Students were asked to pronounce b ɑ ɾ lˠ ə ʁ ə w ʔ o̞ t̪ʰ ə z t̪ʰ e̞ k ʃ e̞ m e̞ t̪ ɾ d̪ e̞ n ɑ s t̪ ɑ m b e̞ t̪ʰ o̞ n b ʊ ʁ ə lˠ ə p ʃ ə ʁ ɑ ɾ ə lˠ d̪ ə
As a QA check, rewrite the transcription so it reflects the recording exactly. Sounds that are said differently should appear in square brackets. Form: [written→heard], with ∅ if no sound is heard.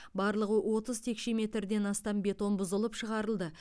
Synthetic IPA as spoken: b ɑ ɾ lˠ ə ʁ ə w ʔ o̞ [t̪ʰ→t̪] ə z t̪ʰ e̞ k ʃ e̞ m e̞ t̪ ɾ d̪ e̞ n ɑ s t̪ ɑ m b e̞ [t̪ʰ→t̪] o̞ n b ʊ [ʁ→z] ə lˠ ə p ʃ ə ʁ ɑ ɾ ə lˠ d̪ ə